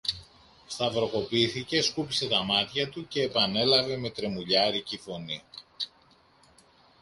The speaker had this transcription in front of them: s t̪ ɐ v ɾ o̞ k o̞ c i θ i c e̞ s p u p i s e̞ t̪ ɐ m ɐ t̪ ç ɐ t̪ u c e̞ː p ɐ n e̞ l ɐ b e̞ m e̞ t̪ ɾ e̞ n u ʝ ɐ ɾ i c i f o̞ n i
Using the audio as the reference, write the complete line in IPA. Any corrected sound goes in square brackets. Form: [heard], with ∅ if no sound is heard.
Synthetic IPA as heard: s t̪ ɐ v ɾ o̞ k o̞ [p] i θ i c e̞ s [k] u p i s e̞ t̪ ɐ m ɐ t̪ ç ɐ t̪ u c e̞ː p ɐ n e̞ l ɐ [v] e̞ m e̞ t̪ ɾ e̞ [m] u [ʎ] ɐ ɾ i c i f o̞ n i